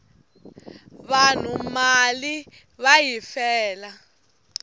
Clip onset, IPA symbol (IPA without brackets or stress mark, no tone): β